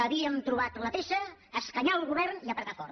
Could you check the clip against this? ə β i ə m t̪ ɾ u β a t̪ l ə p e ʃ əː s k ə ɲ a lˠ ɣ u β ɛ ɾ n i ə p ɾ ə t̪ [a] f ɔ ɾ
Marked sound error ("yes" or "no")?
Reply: no